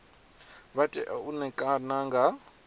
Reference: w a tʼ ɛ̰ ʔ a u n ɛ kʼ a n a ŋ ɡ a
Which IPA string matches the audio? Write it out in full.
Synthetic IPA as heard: β a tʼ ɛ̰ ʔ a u n ɛ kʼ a n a ŋ ɡ a